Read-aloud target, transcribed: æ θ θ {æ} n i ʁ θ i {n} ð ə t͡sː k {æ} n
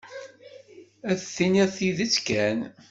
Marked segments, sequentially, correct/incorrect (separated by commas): incorrect, incorrect, correct